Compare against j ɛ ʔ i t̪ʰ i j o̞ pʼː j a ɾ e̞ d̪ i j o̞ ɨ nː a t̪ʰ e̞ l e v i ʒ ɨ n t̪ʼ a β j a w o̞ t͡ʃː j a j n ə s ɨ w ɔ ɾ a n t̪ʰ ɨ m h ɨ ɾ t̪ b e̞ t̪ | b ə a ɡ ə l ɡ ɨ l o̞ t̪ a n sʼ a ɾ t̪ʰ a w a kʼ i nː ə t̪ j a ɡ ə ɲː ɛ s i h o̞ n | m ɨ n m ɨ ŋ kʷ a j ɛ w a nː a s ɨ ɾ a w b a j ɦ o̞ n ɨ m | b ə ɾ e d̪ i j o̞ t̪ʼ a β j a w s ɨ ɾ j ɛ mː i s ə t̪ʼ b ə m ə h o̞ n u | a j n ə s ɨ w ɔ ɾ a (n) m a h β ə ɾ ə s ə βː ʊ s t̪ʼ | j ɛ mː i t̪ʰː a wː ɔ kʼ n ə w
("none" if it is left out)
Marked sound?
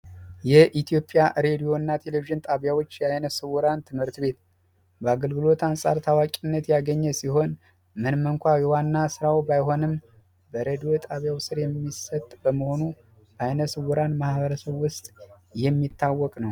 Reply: n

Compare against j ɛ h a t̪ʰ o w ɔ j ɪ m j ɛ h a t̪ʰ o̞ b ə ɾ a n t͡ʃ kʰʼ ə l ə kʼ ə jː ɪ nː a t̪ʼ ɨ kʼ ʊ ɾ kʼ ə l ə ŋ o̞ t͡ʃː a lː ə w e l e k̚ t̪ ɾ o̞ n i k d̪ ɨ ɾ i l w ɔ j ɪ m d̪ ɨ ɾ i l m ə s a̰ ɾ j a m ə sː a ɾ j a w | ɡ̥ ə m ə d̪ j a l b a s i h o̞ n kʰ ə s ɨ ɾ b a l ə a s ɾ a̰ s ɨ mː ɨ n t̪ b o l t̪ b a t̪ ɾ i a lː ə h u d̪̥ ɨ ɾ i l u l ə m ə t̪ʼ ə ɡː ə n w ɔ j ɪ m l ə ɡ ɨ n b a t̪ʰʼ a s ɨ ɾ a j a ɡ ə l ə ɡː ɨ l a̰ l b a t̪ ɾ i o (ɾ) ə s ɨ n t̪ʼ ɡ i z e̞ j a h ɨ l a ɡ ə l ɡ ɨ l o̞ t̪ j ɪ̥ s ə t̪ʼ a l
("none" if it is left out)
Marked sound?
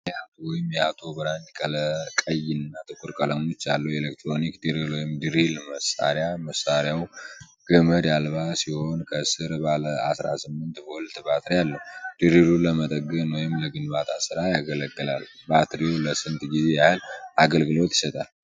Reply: l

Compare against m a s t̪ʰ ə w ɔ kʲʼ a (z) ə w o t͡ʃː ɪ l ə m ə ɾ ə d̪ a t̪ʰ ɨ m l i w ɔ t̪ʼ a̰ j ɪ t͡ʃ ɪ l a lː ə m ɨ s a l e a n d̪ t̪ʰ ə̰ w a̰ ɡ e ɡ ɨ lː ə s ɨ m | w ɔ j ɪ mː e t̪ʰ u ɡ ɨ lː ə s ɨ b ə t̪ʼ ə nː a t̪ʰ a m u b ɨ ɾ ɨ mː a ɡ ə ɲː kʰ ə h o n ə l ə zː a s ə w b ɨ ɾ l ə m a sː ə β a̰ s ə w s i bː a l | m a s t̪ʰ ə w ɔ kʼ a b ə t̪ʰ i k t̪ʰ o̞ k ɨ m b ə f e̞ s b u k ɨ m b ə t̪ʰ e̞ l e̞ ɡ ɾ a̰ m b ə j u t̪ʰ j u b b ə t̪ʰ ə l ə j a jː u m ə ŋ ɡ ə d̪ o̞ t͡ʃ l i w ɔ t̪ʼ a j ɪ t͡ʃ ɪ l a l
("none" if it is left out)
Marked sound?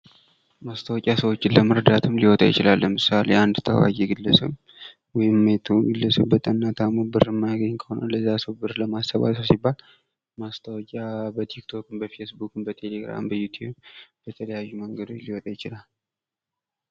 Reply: s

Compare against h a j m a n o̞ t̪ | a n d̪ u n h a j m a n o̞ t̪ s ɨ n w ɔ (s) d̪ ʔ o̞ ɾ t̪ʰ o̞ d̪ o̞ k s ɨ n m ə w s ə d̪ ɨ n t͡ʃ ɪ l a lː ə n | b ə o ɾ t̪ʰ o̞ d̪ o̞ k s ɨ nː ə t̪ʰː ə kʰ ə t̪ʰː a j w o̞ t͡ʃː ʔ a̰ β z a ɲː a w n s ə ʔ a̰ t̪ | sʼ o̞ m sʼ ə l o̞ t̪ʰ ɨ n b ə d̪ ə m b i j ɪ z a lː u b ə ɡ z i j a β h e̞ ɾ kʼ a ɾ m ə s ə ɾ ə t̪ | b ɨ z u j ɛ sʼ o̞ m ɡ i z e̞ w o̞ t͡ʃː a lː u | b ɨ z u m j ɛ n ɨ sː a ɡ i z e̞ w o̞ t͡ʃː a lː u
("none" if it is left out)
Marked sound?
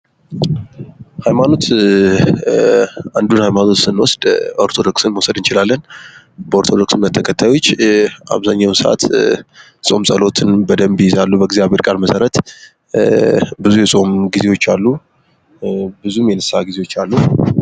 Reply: s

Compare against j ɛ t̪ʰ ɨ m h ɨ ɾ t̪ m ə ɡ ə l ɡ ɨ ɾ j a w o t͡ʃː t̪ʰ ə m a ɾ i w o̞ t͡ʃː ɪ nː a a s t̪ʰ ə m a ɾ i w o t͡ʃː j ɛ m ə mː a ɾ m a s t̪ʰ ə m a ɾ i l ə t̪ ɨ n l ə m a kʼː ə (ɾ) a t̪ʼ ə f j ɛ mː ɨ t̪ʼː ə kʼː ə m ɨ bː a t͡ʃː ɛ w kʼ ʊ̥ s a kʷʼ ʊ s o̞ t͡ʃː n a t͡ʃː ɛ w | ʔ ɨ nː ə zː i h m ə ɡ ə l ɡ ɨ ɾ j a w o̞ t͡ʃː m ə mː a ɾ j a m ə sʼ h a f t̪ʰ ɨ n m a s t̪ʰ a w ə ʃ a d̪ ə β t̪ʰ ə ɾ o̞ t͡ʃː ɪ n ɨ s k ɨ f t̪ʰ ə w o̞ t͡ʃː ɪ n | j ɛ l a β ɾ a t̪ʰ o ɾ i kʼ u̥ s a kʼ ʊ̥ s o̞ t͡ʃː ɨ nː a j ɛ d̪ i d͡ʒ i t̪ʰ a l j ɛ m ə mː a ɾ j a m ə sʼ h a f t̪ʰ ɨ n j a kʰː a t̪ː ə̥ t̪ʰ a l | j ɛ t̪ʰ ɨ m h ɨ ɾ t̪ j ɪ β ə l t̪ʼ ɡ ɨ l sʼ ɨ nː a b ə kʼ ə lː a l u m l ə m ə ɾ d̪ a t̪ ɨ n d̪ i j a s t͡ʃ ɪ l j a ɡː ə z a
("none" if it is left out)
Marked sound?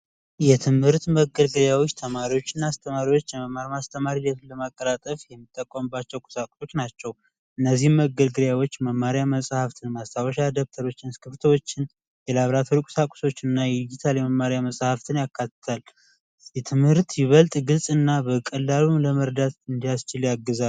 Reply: ɾ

